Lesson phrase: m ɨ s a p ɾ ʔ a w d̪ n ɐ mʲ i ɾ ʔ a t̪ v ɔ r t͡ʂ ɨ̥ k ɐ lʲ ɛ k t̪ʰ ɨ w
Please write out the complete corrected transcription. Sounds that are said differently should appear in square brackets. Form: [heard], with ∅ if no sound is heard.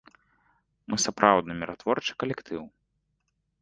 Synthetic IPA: m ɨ s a p ɾ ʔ a w d̪ n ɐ mʲ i ɾ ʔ a t̪ v ɔ r t͡ʂ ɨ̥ k ɐ lʲ ɛ k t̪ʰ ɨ w